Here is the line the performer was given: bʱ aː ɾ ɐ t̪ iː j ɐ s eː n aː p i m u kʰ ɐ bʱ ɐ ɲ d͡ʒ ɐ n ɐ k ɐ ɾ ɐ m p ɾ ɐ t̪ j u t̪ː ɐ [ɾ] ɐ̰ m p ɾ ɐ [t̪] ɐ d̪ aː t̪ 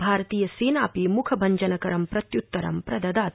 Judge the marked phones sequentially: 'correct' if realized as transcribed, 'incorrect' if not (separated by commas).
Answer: correct, incorrect